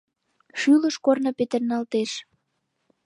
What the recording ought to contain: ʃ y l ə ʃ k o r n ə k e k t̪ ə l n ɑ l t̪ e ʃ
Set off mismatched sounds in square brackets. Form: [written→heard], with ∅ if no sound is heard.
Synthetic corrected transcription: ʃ y l ə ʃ k o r n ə [k→p] e [k→∅] t̪ ə [l→r] n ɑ l t̪ e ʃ